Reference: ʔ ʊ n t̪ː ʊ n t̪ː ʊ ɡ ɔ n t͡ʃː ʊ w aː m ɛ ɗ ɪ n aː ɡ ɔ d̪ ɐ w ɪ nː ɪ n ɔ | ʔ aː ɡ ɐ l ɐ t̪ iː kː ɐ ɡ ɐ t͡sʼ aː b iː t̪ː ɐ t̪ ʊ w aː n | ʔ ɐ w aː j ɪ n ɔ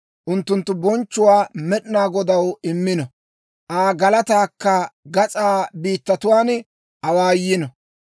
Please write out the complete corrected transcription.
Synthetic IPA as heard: ʔ ʊ n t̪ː ʊ n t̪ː ʊ b ɔ n t͡ʃː ʊ w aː m ɛ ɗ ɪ n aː ɡ ɔ d̪ ɐ w ɪ mː ɪ n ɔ | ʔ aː ɡ ɐ l ɐ t̪ aː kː ɐ ɡ ɐ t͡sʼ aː b iː t̪ː ɐ t̪ ʊ w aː n | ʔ ɐ w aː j ɪ n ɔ